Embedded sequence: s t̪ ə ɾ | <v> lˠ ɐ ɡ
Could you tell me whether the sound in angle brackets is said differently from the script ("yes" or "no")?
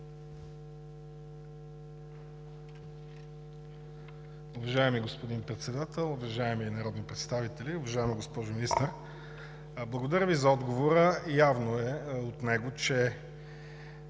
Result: yes